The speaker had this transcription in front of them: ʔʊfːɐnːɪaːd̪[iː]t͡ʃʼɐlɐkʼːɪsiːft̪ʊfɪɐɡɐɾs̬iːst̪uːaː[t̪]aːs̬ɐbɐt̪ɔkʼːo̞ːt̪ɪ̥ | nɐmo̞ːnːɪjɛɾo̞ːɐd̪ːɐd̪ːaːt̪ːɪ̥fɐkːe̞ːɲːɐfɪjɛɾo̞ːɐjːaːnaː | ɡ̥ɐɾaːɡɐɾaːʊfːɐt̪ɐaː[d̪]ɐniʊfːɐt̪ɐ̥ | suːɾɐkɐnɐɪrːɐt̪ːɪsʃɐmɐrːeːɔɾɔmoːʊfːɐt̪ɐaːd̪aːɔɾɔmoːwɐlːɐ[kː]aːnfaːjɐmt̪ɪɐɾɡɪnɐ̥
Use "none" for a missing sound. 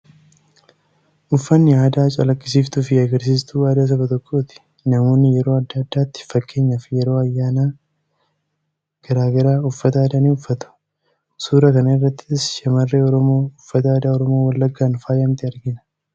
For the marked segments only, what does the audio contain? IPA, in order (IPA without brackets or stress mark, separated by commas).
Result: aː, d̪, d̪, ɡː